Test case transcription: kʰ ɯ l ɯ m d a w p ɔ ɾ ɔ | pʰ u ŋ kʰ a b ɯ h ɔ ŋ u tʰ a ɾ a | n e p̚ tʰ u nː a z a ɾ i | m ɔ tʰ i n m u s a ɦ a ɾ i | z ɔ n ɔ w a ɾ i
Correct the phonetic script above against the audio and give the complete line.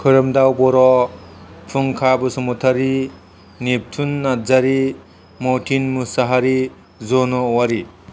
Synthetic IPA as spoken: kʰ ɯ ɾ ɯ m d a w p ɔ ɾ ɔ | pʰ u ŋ kʰ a b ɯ s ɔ m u tʰ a ɾ i | n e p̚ tʰ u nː a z a ɾ i | m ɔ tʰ i n m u s a ɦ a ɾ i | z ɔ n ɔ w a ɾ i

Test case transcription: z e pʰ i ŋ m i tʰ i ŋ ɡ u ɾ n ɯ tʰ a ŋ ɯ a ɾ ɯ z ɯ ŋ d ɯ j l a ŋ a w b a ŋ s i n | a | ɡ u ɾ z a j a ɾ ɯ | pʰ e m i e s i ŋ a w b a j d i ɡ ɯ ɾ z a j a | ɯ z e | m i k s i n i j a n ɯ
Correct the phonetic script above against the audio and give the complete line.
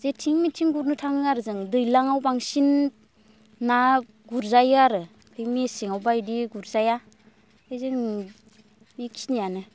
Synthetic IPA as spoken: z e tʰ i ŋ m i tʰ i ŋ ɡ u ɾ n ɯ tʰ a ŋ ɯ a ɾ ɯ z ɯ ŋ d ɯ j l a ŋ a w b a ŋ s i n | a | ɡ u ɾ z a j a ɾ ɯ | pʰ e m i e s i ŋ a w b a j d i ɡ u ɾ z a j a | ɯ z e | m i k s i n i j a n ɯ

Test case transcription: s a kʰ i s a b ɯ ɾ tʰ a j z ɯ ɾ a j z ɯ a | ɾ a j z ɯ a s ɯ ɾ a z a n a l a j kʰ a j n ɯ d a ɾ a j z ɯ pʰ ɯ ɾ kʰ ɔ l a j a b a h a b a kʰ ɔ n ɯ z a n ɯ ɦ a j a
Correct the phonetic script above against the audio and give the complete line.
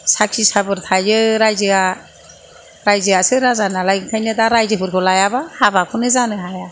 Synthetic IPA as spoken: s a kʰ i s a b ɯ ɾ tʰ a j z ɯ ɾ a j z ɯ a | ɾ a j z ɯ a s ɯ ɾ a z a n a l a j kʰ a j n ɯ d a ɾ a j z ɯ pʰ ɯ ɾ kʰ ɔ l a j a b a h a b a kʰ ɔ n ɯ z a n ɯ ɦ a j a

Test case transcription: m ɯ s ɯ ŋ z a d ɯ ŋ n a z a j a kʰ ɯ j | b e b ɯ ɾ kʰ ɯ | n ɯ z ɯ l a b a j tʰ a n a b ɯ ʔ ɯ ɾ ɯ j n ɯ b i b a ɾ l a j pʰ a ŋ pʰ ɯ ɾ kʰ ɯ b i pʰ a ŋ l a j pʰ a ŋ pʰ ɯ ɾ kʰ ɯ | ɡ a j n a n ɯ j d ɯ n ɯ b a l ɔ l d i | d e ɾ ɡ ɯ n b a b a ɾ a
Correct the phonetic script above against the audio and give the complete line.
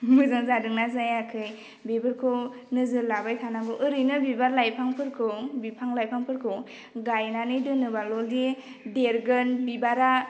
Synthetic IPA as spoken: m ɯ z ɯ ŋ z a d ɯ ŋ n a z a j a kʰ ɯ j | b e b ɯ ɾ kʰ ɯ | n ɯ z ɯ l a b a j tʰ a n a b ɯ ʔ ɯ ɾ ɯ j n ɯ b i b a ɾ l a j pʰ a ŋ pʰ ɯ ɾ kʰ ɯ b i pʰ a ŋ l a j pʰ a ŋ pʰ ɯ ɾ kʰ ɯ | ɡ a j n a n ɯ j d ɯ n ɯ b a l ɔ l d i | d e ɾ ɡ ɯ n b i b a ɾ a

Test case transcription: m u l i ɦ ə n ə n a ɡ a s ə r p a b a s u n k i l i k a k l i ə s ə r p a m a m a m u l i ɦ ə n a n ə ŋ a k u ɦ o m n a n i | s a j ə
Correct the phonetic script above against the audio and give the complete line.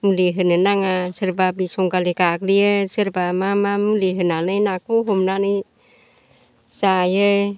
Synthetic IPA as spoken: m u l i ɦ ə n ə n a ŋ a s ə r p a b i s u ŋ k a l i k a k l i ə s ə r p a m a m a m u l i ɦ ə n a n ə n a k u ɦ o m n a n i | s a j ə

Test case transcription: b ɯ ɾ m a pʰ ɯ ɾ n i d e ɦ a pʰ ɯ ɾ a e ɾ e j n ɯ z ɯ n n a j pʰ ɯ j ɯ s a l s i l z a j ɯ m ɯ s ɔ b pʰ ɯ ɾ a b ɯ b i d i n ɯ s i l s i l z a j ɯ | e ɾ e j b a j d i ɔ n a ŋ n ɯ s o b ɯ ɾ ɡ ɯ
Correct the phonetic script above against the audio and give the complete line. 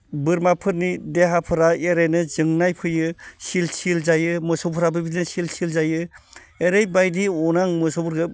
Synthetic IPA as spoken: b ɯ ɾ m a pʰ ɯ ɾ n i d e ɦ a pʰ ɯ ɾ a e ɾ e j n ɯ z ɯ ŋ n a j pʰ ɯ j ɯ s i l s i l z a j ɯ m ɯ s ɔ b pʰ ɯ ɾ a b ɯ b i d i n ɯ s i l s i l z a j ɯ | e ɾ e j b a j d i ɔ n a ŋ m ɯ s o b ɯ ɾ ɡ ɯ

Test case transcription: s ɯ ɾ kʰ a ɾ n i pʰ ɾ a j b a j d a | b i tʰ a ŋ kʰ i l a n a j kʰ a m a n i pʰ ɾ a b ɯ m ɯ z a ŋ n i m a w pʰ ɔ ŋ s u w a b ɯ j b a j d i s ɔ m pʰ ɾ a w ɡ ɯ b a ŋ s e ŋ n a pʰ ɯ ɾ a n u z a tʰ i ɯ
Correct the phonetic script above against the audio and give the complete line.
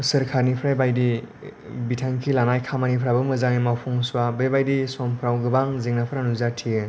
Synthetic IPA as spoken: s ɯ ɾ kʰ a ɾ n i pʰ ɾ a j b a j d i | b i tʰ a ŋ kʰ i l a n a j kʰ a m a n i pʰ ɾ a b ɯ m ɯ z a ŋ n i m a w pʰ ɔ ŋ s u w a b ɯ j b a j d i s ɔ m pʰ ɾ a w ɡ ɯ b a ŋ z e ŋ n a pʰ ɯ ɾ a n u z a tʰ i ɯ

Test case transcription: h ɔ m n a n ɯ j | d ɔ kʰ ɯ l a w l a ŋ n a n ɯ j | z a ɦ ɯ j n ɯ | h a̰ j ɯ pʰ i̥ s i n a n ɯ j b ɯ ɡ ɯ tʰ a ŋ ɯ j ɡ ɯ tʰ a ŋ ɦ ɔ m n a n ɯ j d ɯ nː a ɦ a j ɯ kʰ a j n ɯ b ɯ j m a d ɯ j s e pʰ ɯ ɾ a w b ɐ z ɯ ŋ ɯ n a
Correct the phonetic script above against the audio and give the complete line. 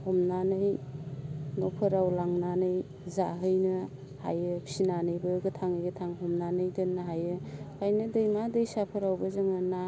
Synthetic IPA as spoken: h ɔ m n a n ɯ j | n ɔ pʰ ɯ ɾ a w l a ŋ n a n ɯ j | z a ɦ ɯ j n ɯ | h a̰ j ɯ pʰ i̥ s i n a n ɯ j b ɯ ɡ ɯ tʰ a ŋ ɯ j ɡ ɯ tʰ a ŋ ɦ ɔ m n a n ɯ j d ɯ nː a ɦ a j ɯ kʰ a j n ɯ d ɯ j m a d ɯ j s a pʰ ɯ ɾ a w b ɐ z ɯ ŋ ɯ n a

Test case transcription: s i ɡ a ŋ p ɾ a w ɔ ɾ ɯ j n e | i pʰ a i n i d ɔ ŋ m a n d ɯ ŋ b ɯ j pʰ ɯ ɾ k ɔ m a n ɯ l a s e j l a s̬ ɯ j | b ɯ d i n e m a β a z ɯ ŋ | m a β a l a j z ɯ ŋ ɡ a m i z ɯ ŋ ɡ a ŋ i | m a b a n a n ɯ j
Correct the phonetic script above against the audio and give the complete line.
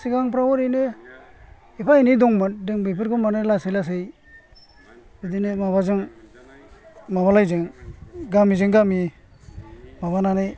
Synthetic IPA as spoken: s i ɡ a ŋ p ɾ a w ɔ ɾ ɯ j n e | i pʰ a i n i d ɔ ŋ m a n d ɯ ŋ b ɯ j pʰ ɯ ɾ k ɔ m a n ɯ l a s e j l a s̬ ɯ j | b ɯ d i n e m a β a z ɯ ŋ | m a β a l a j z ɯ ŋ ɡ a m i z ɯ ŋ ɡ a m i | m a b a n a n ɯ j

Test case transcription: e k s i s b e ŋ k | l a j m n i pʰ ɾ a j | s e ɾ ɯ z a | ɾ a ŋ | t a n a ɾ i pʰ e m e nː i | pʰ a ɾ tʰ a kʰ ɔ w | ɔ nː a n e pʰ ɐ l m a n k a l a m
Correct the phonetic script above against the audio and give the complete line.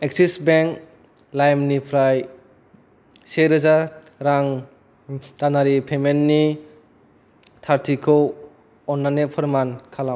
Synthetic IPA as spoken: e k s i s b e ŋ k | l a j m n i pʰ ɾ a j | s e ɾ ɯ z a | ɾ a ŋ | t a n a ɾ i pʰ e m e nː i | tʰ a ɾ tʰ i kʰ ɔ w | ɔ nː a n e pʰ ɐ ɾ m a n kʰ a l a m

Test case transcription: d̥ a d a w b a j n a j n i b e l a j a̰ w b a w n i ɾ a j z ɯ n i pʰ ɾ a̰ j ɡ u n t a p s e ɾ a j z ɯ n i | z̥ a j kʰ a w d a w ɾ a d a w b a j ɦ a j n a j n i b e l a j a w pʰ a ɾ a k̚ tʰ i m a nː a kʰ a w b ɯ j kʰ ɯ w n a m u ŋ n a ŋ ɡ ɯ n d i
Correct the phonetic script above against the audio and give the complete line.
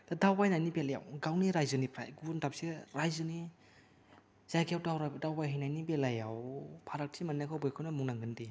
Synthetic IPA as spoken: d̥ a d a w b a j n a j n i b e l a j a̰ w ɡ a w n i ɾ a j z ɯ n i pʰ ɾ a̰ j ɡ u n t a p s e ɾ a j z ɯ n i | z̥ a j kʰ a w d a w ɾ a d a w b a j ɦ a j n a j n i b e l a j a w pʰ a ɾ a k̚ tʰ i m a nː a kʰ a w b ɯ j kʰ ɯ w n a m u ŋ n a ŋ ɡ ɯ n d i

